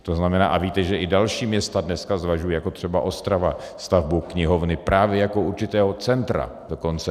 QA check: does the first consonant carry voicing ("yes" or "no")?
no